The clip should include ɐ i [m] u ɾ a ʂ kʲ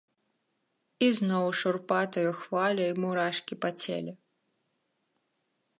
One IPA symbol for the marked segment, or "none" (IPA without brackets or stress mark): m